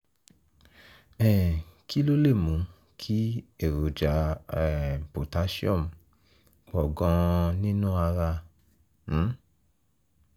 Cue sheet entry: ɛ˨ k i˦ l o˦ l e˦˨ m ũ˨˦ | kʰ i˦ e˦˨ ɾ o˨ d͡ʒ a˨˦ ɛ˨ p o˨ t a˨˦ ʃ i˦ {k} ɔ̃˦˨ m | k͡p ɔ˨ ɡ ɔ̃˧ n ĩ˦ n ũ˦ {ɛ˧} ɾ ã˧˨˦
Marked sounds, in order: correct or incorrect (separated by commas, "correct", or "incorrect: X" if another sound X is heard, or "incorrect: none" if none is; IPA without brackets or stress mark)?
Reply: incorrect: none, incorrect: a˧